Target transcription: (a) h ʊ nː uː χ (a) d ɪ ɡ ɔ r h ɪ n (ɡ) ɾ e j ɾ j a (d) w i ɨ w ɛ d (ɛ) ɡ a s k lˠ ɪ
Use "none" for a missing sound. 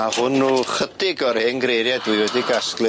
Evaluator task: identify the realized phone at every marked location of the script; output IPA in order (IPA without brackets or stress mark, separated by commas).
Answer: a, ə, ɡ, d, i